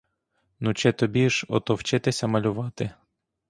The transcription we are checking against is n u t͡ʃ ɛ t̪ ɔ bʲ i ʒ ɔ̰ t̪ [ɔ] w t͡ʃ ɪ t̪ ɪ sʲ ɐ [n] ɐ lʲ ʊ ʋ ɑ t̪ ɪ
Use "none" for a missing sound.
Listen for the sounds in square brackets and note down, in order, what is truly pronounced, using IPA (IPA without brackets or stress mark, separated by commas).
ɔ, m